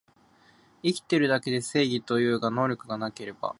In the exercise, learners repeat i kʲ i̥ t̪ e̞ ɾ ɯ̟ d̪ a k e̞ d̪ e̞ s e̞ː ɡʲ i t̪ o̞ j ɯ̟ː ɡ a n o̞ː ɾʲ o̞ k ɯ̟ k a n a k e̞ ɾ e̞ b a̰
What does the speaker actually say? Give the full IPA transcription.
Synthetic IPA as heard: i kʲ i̥ t̪ e̞ ɾ ɯ̟ d̪ a k e̞ d̪ e̞ s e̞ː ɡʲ i t̪ o̞ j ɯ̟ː ɡ a n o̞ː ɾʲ o̞ k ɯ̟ ɡ a n a k e̞ ɾ e̞ b a̰